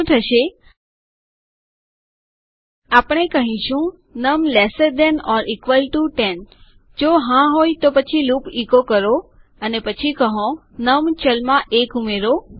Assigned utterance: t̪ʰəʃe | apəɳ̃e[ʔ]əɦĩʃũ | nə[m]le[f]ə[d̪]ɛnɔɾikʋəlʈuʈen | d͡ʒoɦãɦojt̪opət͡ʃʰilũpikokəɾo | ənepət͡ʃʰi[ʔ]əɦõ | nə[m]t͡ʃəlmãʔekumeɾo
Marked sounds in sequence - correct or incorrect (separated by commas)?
incorrect, correct, incorrect, correct, incorrect, correct